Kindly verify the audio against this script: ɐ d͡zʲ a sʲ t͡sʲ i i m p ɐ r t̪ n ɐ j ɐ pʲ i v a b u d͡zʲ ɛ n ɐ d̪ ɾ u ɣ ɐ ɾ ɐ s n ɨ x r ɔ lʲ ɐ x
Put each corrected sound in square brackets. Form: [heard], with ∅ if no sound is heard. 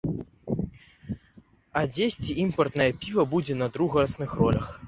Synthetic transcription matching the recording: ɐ d͡zʲ [e] sʲ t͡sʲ i i m p ɐ r t̪ n ɐ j ɐ pʲ i v [ɐ] b u d͡zʲ ɛ n ɐ d̪ ɾ u ɣ ɐ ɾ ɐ s n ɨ x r ɔ lʲ ɐ x